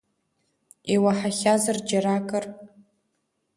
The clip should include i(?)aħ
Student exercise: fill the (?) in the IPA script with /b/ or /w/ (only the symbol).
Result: w